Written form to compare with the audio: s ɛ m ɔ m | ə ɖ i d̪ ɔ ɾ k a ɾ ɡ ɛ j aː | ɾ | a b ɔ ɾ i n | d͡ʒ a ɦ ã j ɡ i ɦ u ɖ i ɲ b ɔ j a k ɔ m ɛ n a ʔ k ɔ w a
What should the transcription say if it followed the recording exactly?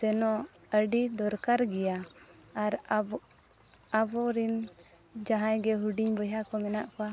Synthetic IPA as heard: s ɛ n ɔ | ə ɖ i d̪ ɔ ɾ k a ɾ ɡ ɛ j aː | ɾ | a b ɔ ɾ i n | d͡ʒ a ɦ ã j ɡ ɛ ɦ u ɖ i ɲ b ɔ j a k ɔ m ɛ n a ʔ k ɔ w a

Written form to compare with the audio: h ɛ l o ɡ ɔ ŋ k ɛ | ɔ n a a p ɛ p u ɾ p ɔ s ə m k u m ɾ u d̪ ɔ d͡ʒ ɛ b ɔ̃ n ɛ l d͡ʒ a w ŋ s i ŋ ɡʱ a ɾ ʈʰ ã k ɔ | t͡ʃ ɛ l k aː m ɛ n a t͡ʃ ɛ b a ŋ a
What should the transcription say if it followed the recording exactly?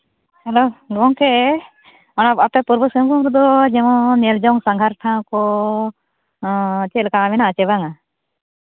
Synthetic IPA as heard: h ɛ l o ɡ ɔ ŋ k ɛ | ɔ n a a p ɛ p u ɾ b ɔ s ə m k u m ɾ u d̪ ɔ d͡ʒ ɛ m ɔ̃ n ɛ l d͡ʒ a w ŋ s a ŋ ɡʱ a ɾ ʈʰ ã k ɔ | t͡ʃ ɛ l k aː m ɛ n a t͡ʃ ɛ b a ŋ a

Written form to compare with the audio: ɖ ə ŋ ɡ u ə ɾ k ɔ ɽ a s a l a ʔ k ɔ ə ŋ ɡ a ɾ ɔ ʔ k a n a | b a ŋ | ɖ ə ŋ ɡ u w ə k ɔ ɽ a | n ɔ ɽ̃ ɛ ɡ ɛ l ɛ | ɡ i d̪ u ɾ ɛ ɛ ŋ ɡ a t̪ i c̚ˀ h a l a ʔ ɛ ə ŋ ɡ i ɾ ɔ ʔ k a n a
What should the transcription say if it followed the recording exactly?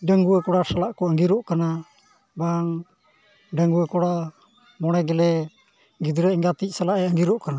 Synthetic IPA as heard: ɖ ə ŋ ɡ u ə k ɔ ɽ a s a l a ʔ k ɔ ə ŋ ɡ i ɾ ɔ ʔ k a n a | b a ŋ | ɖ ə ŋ ɡ u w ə k ɔ ɽ a | m ɔ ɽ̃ ɛ ɡ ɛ l ɛ | ɡ i d̪ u ɾ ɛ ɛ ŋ ɡ a t̪ i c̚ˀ s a l a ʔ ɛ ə ŋ ɡ i ɾ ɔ ʔ k a n a

